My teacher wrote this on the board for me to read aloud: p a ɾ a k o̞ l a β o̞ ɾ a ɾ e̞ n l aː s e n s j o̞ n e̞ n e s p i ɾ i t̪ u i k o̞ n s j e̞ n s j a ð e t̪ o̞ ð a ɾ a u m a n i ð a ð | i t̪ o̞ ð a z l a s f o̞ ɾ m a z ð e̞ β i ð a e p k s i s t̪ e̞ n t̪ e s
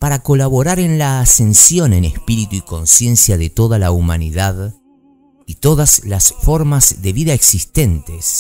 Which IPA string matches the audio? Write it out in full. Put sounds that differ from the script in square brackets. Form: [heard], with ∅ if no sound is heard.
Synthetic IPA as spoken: p a ɾ a k o̞ l a β o̞ ɾ a ɾ e̞ n l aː s e n s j o̞ n e̞ n e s p i ɾ i t̪ u i k o̞ n s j e̞ n s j a ð e t̪ o̞ ð a [l] a u m a n i ð a ð | i t̪ o̞ ð a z l a s f o̞ ɾ m a z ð e̞ β i ð a e [∅] k s i s t̪ e̞ n t̪ e s